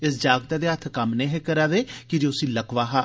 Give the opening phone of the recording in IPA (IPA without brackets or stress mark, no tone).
ɪ